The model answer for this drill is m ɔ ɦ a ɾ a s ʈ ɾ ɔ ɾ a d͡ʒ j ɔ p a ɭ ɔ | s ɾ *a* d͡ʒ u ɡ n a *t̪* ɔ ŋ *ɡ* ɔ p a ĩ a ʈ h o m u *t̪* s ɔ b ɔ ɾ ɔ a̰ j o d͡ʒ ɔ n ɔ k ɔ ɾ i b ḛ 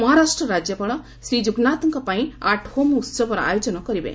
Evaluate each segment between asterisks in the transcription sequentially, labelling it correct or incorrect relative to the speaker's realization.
incorrect, correct, incorrect, correct

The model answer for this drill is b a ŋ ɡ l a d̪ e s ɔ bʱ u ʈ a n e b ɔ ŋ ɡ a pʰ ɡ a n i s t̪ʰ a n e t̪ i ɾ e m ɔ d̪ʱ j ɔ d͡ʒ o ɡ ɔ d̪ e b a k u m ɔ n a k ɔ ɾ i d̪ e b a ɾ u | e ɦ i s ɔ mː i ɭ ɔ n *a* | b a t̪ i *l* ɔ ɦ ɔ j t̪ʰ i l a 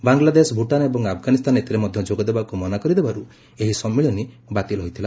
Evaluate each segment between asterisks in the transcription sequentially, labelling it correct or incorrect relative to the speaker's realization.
incorrect, correct

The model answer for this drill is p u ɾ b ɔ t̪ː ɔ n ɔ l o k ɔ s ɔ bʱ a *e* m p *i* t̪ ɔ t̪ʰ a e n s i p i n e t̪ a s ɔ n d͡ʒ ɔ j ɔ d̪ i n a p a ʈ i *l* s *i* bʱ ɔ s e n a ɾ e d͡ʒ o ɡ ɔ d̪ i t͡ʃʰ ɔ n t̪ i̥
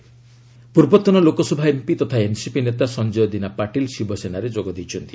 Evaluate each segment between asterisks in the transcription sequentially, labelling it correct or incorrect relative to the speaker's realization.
correct, correct, correct, correct

